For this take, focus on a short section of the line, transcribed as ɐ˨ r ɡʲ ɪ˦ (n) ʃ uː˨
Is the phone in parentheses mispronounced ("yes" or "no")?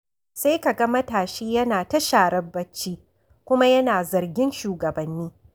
no